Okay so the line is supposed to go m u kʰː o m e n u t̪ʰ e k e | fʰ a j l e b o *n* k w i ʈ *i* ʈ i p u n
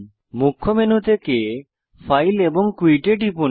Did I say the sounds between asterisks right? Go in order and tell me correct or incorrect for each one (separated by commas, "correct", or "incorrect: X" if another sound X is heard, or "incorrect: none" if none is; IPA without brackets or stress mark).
incorrect: ŋ, incorrect: e